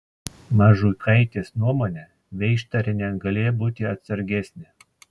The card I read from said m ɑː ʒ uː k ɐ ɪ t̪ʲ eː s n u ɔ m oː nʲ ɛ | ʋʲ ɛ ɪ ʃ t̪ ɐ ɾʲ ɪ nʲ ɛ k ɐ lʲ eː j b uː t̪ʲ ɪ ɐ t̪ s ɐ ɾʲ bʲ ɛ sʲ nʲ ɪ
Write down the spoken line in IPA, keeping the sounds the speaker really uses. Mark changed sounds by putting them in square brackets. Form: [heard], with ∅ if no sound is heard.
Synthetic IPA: m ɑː ʒ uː k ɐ ɪ t̪ʲ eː s n u ɔ m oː nʲ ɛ | ʋʲ ɛ ɪ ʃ t̪ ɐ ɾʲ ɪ nʲ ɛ [ɡ] ɐ lʲ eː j b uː t̪ʲ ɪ ɐ t̪ s ɐ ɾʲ [ɡʲ] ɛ sʲ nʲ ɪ